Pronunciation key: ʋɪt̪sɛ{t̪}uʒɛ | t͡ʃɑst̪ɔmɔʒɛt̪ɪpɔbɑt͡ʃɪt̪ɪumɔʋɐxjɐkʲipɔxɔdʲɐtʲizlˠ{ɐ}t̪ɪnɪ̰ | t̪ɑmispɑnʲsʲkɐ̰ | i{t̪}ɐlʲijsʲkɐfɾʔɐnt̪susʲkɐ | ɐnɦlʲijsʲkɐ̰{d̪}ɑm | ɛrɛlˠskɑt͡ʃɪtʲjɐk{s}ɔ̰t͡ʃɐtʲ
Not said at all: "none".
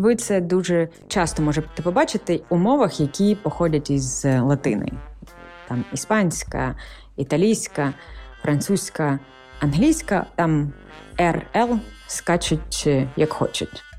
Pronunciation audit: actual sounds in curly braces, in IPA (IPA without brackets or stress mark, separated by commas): d̪, ɐ, t̪, t̪, x